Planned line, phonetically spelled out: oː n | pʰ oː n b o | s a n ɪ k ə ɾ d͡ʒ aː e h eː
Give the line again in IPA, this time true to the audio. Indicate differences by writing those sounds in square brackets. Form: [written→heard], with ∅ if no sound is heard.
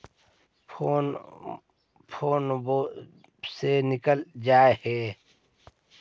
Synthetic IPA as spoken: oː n | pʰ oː n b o | s [a→e] n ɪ k ə [ɾ→l] d͡ʒ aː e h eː